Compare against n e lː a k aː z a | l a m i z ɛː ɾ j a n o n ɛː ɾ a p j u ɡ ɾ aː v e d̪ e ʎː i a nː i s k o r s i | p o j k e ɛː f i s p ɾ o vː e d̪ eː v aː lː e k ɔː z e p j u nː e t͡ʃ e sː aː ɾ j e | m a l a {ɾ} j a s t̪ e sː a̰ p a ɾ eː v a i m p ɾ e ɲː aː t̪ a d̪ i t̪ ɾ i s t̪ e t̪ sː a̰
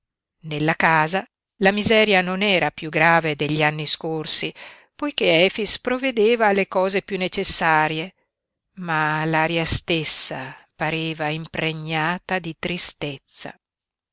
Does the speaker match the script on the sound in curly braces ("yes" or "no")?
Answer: yes